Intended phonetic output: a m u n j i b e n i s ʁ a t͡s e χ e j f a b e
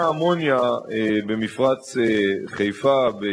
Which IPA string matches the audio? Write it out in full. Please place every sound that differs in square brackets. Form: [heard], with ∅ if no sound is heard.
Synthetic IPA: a m [o] n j [a] b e [m] i [f] ʁ a t͡s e χ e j f a b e